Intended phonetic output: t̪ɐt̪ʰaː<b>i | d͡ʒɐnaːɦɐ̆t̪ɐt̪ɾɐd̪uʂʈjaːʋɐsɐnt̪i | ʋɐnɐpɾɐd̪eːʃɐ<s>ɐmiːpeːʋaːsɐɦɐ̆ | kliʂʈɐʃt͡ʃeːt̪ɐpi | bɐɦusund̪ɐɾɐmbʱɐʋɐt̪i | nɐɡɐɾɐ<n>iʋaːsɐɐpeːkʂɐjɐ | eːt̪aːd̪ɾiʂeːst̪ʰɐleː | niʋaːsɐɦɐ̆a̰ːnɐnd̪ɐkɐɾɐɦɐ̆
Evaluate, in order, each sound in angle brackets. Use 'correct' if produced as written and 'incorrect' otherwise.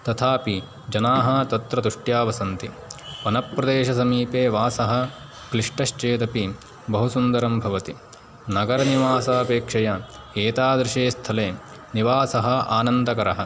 incorrect: p, correct, correct

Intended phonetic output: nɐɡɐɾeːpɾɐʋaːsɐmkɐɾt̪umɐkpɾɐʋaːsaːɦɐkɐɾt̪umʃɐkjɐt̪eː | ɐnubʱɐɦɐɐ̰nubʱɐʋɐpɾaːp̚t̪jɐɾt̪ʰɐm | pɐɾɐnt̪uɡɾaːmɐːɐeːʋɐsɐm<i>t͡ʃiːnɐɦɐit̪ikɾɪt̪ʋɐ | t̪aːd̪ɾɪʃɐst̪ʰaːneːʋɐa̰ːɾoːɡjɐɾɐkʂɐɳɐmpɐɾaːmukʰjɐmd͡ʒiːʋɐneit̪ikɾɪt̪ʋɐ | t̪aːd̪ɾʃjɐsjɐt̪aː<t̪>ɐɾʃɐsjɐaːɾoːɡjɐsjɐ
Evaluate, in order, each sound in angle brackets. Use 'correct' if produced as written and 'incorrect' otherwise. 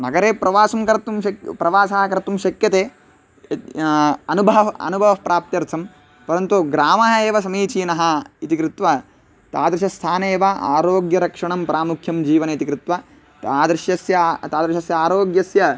incorrect: iː, incorrect: d̪

